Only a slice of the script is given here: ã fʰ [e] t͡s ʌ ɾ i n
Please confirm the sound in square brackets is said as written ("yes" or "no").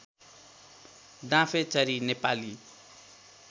yes